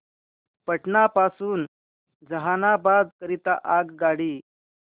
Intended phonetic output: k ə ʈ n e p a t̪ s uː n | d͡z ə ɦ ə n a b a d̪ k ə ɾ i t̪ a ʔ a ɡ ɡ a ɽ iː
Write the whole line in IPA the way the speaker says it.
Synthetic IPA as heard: p ə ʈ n a p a s uː n | d͡z ə ɦ a n a b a d̪ k ə ɾ i t̪ a ʔ a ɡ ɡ a ɽ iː